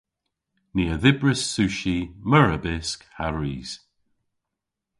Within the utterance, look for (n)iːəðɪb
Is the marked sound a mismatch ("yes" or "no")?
no